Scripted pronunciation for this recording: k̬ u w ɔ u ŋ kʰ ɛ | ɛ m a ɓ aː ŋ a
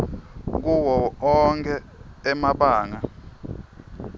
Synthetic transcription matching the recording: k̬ u w ɔ ɔ ŋ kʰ ɛ | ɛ m a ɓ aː ŋ a